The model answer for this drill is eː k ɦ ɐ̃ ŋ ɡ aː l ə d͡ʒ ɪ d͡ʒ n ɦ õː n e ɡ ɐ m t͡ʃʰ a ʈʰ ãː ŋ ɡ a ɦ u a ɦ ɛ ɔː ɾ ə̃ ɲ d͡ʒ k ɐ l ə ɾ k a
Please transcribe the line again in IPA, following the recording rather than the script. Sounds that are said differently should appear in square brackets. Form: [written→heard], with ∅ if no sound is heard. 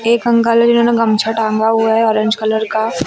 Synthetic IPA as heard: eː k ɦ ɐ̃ ŋ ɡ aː l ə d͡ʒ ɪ [d͡ʒ→∅] n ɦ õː n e ɡ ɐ m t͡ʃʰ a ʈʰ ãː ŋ ɡ a ɦ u a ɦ ɛ ɔː ɾ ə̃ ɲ d͡ʒ k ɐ l ə ɾ k a